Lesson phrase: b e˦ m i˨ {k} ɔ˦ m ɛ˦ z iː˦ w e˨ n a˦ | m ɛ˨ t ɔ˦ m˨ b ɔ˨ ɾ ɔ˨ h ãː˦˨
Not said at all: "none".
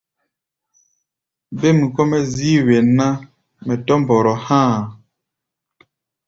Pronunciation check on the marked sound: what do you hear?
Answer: k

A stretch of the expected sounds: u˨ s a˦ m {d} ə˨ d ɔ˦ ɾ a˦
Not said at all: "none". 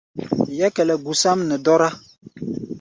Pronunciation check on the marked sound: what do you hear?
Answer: n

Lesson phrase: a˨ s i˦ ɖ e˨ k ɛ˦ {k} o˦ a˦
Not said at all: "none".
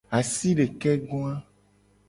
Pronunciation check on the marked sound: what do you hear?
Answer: ɡ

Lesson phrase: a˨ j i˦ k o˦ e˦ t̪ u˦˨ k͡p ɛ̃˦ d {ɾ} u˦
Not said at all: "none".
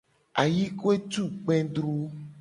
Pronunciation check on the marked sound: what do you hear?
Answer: ɾ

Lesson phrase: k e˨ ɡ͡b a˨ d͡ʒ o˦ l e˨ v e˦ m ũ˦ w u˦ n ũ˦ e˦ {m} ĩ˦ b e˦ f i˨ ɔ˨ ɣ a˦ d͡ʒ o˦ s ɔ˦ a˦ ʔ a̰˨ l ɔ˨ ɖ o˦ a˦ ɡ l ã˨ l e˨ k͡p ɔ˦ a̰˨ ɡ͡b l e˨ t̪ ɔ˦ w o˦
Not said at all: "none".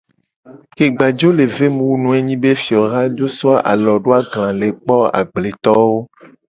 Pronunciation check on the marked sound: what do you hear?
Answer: ɲ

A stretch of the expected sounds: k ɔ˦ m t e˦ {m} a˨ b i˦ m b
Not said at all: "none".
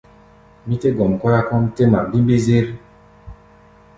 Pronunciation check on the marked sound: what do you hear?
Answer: m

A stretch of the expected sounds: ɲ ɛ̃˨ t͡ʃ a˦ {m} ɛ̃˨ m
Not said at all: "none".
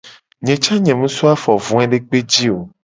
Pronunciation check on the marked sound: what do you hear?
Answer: ɲ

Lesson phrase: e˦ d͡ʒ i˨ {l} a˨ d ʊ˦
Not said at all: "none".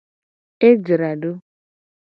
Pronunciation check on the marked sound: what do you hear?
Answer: ɾ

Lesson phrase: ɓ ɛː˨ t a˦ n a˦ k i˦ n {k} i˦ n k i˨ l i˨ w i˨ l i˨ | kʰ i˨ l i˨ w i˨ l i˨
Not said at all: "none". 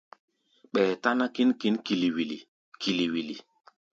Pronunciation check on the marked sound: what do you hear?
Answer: k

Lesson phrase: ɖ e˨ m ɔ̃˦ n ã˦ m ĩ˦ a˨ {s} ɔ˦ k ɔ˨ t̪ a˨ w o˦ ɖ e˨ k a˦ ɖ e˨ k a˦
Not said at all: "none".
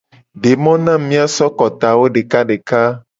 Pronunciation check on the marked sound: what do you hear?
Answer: s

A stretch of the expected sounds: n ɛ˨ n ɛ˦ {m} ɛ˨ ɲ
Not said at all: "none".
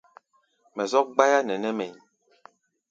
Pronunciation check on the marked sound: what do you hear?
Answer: m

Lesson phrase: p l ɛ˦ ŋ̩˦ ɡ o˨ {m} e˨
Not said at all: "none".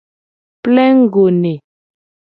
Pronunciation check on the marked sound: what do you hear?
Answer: n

